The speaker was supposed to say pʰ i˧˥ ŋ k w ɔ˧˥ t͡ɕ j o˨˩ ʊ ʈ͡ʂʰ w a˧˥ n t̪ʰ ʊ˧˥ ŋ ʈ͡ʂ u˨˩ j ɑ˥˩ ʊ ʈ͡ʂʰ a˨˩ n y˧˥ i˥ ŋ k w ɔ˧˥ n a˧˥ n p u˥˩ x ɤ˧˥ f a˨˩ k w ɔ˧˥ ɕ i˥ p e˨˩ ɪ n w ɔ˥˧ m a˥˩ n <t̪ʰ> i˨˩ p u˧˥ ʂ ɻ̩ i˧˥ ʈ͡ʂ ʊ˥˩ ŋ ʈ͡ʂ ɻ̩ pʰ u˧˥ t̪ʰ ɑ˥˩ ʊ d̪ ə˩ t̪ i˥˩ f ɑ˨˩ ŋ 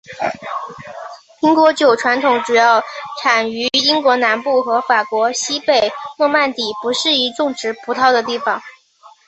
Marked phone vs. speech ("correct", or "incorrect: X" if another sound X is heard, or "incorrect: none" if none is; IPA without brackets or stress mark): incorrect: t̪